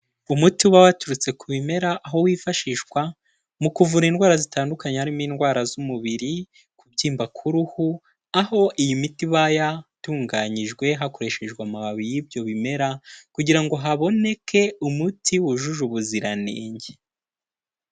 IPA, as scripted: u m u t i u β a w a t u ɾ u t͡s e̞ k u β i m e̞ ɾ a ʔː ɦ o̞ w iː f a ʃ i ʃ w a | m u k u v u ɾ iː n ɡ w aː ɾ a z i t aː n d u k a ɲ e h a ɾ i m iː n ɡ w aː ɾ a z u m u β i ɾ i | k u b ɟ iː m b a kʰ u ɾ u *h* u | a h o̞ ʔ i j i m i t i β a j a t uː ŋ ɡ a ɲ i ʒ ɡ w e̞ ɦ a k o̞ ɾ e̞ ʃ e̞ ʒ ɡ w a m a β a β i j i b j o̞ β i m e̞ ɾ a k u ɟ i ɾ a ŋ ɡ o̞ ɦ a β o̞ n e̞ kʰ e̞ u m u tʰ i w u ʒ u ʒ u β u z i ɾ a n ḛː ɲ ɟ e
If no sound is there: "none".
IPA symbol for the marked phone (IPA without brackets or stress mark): h